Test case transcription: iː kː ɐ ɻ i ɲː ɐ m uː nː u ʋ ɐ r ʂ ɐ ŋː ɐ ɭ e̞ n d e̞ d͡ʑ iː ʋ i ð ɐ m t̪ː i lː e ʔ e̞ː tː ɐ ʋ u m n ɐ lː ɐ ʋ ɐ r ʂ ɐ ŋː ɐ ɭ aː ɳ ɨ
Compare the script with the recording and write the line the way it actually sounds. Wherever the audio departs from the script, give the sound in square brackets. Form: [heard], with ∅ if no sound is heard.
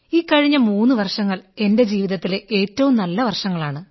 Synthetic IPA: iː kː ɐ ɻ i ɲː ɐ m uː nː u ʋ ɐ r ʂ ɐ ŋː ɐ ɭ e̞ n d e̞ d͡ʑ iː ʋ i ð ɐ [∅] t̪ː i [l] e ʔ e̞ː tː ɐ ʋ u m n ɐ lː ɐ ʋ ɐ r ʂ ɐ ŋː ɐ ɭ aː ɳ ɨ